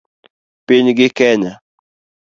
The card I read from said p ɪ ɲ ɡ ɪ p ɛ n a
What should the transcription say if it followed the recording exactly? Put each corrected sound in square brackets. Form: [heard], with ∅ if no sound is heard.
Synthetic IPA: p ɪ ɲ ɡ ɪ [k] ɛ [ɲ] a